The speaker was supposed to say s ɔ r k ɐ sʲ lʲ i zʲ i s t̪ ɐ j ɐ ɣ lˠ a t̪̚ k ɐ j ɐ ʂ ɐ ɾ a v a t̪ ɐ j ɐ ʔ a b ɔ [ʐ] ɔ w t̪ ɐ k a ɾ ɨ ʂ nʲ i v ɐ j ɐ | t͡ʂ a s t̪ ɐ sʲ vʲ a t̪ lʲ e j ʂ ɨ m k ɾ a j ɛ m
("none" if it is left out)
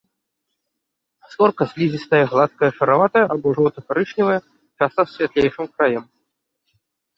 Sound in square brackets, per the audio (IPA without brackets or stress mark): ʐ